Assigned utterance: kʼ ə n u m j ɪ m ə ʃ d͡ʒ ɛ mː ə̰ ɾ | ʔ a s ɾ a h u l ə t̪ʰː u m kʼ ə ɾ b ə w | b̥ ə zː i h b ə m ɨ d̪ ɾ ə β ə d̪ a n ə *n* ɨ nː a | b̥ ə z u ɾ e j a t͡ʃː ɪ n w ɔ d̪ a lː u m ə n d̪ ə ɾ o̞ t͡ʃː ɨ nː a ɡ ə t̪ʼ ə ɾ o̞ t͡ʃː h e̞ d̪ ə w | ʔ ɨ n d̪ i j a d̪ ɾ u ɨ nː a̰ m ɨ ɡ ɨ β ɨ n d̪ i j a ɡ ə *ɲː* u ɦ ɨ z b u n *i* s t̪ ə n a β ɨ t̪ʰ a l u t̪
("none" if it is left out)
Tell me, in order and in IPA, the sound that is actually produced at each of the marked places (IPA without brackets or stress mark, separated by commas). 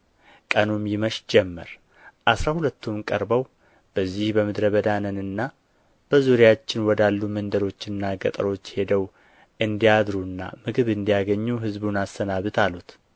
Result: n, ɲː, a